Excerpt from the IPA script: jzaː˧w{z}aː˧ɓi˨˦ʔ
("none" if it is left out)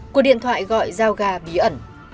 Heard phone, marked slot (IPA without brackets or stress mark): ɣ